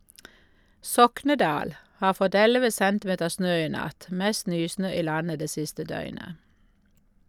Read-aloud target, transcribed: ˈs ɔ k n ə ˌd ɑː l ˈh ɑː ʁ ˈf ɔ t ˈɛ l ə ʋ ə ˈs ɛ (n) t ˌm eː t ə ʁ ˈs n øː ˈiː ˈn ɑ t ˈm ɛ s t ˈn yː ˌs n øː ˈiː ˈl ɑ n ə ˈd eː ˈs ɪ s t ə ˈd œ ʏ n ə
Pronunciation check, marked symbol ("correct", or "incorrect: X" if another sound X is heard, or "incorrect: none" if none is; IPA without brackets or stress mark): correct